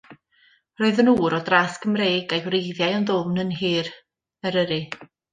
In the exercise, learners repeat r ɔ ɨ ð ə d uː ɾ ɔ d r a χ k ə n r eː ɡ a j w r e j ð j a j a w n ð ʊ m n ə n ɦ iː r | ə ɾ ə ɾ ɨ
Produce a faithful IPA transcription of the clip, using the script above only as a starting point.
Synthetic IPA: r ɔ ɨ ð ə n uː ɾ ɔ d r a s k ə m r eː ɡ a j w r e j ð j a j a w n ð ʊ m n ə n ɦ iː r | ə ɾ ə ɾ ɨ